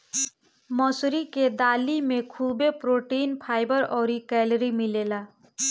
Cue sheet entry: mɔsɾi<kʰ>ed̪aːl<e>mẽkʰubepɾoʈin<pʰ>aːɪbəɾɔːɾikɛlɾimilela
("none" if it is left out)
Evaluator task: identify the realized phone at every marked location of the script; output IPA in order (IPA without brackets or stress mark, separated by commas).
k, i, pʰ